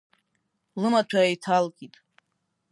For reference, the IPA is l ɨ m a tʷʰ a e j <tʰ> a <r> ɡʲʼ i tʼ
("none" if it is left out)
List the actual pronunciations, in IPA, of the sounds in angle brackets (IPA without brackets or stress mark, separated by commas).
tʰ, l